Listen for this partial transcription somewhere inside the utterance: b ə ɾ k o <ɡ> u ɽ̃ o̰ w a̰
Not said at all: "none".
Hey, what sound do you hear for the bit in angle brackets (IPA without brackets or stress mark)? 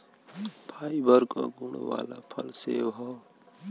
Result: ɡ